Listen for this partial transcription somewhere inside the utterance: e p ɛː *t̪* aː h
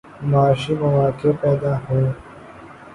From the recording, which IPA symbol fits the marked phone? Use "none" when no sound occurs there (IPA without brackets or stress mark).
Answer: d̪